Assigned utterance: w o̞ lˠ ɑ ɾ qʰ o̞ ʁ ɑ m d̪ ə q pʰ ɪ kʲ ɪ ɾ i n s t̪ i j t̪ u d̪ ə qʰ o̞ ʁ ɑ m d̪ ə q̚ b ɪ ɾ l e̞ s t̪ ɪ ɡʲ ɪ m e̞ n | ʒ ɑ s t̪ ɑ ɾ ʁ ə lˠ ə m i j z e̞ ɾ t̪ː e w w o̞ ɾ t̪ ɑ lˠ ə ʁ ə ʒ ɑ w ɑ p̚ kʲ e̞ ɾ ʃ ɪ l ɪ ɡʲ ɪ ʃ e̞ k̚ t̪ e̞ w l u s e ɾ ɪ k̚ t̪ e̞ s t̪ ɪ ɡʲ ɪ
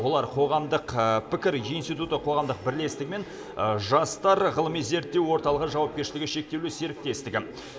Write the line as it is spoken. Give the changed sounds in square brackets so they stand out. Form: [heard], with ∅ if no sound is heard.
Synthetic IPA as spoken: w o̞ lˠ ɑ ɾ qʰ o̞ ʁ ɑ m d̪ ə q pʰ ɪ kʲ ɪ ɾ i n s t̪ i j t̪ u [t̪] ə qʰ o̞ ʁ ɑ m d̪ ə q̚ b ɪ ɾ l e̞ s t̪ ɪ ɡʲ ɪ m e̞ n | ʒ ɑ s t̪ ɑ ɾ ʁ ə lˠ ə m i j z e̞ ɾ t̪ː e w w o̞ ɾ t̪ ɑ lˠ ə ʁ ə ʒ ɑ w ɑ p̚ kʲ e̞ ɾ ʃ ɪ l ɪ ɡʲ ɪ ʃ e̞ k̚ t̪ e̞ w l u s e ɾ ɪ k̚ t̪ e̞ s t̪ ɪ ɡʲ ɪ

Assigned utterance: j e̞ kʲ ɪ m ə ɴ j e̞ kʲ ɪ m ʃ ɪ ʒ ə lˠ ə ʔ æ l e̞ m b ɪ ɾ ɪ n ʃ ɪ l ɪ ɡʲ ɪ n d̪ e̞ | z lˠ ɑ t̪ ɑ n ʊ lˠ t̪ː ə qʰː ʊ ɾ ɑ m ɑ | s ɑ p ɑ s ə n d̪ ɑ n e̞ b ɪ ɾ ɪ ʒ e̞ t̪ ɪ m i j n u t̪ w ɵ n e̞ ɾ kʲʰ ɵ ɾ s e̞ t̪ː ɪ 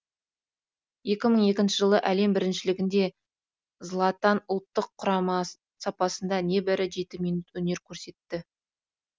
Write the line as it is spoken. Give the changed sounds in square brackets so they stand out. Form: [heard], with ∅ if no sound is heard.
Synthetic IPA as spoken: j e̞ kʲ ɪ m ə ɴ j e̞ kʲ ɪ [n] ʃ ɪ ʒ ə lˠ ə ʔ æ l e̞ m b ɪ ɾ ɪ n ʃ ɪ l ɪ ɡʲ ɪ n d̪ e̞ | z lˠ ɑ t̪ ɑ n ʊ lˠ t̪ː ə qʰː ʊ ɾ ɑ m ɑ | s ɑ p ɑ s ə n d̪ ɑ n e̞ b ɪ ɾ ɪ ʒ e̞ t̪ ɪ m i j n u t̪ w ɵ n e̞ ɾ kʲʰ ɵ ɾ s e̞ t̪ː ɪ

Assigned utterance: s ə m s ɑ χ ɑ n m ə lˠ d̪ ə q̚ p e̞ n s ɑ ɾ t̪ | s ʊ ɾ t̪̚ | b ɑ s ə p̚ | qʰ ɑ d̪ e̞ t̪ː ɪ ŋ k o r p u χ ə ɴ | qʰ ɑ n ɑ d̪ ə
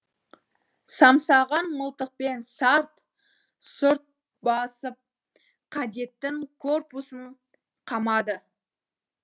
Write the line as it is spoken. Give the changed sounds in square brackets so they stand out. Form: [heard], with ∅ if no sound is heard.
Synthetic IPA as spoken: s [ɑ] m s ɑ [ʁ] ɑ n m ə lˠ [t̪] ə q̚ p e̞ n s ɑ ɾ t̪ | s ʊ ɾ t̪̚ | b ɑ s ə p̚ | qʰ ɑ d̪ e̞ t̪ː ɪ ŋ [kʰ] o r p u [s] ə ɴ | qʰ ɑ [m] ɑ d̪ ə

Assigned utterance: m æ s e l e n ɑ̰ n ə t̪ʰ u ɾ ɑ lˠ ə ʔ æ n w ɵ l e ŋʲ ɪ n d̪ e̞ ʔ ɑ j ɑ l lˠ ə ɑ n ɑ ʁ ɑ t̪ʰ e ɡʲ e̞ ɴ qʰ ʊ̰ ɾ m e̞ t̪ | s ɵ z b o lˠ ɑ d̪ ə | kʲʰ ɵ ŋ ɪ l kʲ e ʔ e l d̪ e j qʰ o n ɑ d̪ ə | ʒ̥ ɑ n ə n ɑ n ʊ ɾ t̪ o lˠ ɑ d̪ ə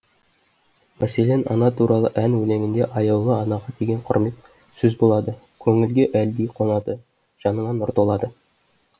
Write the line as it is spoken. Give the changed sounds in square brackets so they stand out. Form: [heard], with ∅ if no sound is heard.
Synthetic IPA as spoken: m æ s e l e n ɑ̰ n [ɑ] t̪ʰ u ɾ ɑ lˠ ə ʔ æ n w ɵ l e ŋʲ ɪ n d̪ e̞ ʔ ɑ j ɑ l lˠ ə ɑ n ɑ ʁ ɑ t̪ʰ e ɡʲ e̞ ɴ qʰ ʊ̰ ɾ m e̞ t̪ | s ɵ z b o lˠ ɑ d̪ ə | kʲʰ ɵ ŋ ɪ l [ɡʲ] e ʔ [æ] l d̪ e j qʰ o n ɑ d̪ ə | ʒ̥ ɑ n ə [ɴ] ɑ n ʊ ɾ t̪ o lˠ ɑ d̪ ə

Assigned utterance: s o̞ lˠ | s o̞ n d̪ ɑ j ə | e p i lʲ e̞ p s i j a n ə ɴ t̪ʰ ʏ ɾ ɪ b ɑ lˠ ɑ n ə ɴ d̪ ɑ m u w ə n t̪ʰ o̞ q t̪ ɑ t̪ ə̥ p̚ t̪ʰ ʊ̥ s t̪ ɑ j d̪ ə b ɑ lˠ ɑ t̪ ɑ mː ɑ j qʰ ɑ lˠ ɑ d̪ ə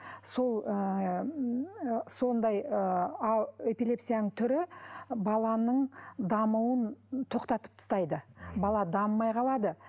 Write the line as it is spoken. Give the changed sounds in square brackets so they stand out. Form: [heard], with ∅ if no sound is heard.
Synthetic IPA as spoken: s o̞ lˠ | s o̞ n d̪ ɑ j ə | e p i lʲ e̞ p s i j a n ə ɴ t̪ʰ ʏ ɾ ɪ b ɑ lˠ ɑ n ə ɴ d̪ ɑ m u w ə n t̪ʰ o̞ q t̪ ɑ t̪ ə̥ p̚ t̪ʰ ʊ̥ s t̪ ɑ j d̪ ə b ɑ lˠ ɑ [d̪] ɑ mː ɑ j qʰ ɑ lˠ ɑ d̪ ə

